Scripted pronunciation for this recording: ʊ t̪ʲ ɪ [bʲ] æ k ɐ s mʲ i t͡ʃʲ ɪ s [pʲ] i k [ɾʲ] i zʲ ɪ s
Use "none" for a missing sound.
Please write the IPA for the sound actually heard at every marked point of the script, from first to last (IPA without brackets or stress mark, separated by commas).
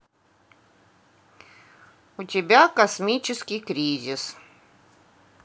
bʲ, kʲ, ɾʲ